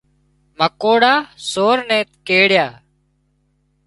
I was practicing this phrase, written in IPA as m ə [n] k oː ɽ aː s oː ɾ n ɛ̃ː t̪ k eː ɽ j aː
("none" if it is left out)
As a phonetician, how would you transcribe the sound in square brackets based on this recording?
none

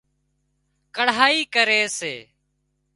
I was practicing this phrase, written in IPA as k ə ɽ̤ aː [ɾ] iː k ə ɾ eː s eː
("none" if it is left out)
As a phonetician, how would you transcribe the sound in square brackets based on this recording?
none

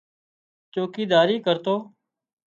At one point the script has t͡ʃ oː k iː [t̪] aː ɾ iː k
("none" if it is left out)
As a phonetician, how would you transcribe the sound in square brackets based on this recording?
d̪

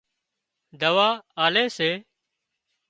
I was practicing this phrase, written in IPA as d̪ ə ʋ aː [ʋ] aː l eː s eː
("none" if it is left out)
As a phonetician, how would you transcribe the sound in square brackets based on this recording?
none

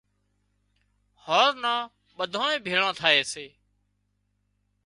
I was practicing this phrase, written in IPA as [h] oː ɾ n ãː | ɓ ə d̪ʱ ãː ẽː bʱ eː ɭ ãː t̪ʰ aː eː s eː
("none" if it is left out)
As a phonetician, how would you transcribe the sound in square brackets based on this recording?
h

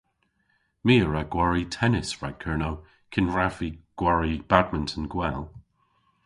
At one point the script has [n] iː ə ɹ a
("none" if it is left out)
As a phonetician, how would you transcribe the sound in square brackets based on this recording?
m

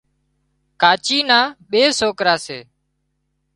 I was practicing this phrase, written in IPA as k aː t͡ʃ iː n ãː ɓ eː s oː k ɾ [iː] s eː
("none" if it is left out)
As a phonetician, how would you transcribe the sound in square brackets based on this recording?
aː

